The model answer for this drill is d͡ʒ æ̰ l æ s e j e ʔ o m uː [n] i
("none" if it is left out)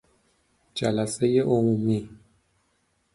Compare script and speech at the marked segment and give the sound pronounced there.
m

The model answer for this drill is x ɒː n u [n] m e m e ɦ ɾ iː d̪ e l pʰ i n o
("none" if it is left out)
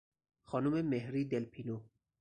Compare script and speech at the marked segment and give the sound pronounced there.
none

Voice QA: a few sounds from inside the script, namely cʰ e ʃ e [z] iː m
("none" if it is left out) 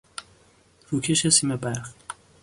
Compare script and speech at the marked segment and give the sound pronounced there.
s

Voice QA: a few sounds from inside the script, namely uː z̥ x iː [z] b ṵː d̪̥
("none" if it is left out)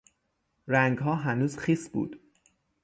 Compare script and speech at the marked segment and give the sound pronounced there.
s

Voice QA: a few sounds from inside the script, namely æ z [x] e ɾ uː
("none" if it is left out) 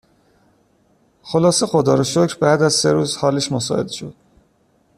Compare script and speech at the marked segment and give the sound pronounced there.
s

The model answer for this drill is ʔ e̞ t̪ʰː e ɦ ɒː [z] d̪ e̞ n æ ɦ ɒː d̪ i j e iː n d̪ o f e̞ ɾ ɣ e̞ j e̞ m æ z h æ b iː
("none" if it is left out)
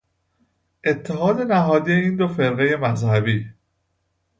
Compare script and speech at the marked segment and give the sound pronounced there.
none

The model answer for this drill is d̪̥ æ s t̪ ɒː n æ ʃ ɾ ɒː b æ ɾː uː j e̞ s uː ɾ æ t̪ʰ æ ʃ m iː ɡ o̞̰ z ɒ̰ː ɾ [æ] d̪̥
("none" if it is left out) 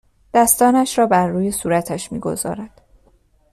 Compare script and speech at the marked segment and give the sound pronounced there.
æ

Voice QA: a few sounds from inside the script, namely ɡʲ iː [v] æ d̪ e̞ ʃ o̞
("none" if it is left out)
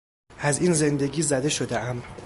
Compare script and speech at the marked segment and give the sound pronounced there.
z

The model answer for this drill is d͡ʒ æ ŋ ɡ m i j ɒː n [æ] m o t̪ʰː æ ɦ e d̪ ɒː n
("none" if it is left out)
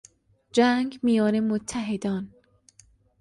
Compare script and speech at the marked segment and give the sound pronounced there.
e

